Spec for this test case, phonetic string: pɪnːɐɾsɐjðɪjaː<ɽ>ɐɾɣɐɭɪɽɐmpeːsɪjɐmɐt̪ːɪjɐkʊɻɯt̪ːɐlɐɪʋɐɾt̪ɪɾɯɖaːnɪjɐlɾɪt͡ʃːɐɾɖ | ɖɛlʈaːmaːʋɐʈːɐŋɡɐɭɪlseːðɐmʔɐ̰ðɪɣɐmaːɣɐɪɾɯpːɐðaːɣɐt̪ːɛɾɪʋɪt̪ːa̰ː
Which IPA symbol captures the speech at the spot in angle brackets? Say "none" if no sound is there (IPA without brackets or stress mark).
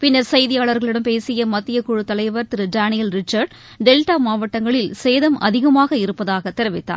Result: ɭ